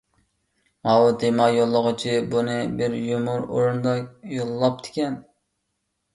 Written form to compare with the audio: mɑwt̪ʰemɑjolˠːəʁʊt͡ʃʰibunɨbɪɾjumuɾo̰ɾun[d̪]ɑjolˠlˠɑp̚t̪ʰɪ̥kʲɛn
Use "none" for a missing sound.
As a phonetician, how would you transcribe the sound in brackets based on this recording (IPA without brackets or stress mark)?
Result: d̪